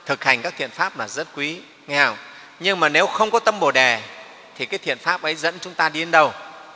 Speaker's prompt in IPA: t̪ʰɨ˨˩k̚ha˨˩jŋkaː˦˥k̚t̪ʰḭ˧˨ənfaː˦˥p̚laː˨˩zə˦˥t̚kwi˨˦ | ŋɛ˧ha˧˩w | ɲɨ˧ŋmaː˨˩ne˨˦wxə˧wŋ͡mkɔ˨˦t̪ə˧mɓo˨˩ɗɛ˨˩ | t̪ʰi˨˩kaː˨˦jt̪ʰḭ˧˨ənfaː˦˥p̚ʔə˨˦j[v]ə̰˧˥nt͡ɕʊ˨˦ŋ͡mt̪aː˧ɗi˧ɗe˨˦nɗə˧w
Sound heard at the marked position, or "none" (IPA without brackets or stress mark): z